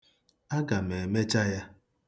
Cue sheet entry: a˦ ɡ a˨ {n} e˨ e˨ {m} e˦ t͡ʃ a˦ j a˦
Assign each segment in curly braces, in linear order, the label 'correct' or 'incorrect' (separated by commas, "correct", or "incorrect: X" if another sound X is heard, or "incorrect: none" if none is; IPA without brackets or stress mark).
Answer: incorrect: m, correct